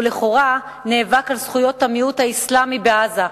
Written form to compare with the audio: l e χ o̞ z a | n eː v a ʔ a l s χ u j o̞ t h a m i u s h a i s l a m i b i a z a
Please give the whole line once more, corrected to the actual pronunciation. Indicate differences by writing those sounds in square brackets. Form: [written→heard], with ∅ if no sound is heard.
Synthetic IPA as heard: l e χ o̞ [z→ʁ] a | n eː v a [ʔ→k] a l s χ u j o̞ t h a m i u [s→t] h a i s l a m i b [i→e] a z a